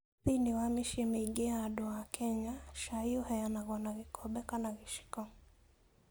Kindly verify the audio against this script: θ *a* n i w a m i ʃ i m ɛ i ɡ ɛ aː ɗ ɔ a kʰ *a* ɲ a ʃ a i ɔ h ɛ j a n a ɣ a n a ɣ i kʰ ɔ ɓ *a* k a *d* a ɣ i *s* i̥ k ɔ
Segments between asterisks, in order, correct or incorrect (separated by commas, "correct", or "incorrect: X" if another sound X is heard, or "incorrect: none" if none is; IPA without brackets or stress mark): incorrect: i, incorrect: ɛ, incorrect: ɛ, incorrect: n, incorrect: ʃ